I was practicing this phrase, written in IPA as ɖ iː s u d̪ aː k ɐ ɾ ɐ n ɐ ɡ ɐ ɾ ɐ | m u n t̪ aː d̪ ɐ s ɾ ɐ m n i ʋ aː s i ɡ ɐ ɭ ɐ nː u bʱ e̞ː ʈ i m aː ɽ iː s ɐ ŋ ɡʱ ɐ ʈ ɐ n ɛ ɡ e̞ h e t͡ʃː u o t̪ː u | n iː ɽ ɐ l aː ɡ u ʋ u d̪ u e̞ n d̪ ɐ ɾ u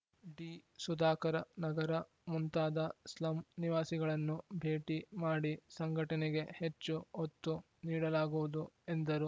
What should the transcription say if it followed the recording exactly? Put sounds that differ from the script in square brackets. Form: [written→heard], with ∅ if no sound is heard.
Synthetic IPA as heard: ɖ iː s u d̪ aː k ɐ ɾ ɐ n ɐ ɡ ɐ ɾ ɐ | m u n t̪ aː d̪ ɐ s [ɾ→l] ɐ m n i ʋ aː s i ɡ ɐ ɭ ɐ nː u bʱ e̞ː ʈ i m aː ɽ [iː→i] s ɐ ŋ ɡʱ ɐ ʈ ɐ n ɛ ɡ e̞ h e t͡ʃː u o t̪ː u | n iː ɽ ɐ l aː ɡ u ʋ u d̪ u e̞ n d̪ ɐ ɾ u